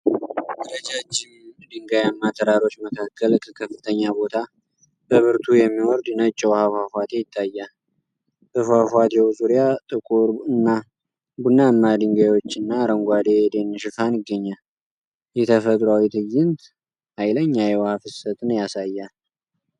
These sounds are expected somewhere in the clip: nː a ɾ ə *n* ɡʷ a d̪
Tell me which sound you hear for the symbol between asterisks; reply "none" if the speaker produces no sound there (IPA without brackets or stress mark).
ŋ